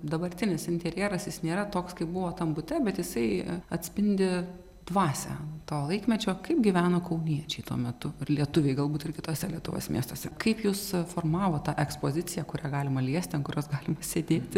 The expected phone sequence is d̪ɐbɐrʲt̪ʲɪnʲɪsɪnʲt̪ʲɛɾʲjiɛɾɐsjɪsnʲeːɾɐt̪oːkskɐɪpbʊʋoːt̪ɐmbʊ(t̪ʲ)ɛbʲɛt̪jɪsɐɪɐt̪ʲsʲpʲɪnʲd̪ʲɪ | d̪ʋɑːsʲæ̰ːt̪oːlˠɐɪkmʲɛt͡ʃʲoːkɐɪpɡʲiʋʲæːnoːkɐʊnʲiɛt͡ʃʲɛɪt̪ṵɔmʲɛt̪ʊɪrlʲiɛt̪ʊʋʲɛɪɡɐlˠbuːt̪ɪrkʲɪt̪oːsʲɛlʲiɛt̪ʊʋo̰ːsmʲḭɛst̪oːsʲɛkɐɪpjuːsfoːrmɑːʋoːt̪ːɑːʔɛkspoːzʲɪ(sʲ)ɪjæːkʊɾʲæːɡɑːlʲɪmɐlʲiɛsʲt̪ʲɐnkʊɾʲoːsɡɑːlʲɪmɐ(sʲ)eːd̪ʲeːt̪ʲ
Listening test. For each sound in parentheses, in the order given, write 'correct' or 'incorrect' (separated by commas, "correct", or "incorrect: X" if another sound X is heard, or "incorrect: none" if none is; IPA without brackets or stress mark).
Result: correct, incorrect: t͡sʲ, correct